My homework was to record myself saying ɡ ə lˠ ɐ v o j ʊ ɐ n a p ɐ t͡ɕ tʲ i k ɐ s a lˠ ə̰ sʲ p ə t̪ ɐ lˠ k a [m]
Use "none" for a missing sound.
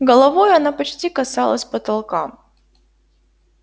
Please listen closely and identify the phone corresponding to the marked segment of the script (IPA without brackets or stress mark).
m